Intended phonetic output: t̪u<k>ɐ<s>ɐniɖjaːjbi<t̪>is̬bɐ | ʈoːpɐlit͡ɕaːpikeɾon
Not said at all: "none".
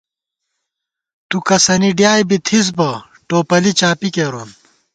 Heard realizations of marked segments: k, s, t̪ʰ

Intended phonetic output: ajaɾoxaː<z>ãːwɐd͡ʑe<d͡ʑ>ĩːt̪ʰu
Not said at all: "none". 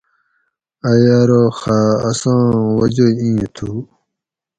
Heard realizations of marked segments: s, none

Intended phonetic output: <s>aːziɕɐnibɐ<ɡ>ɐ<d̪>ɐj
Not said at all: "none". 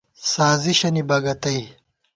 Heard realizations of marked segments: s, ɡ, t̪

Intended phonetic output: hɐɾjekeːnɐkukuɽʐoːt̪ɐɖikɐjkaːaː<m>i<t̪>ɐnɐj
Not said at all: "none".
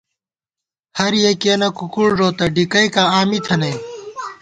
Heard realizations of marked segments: m, t̪ʰ

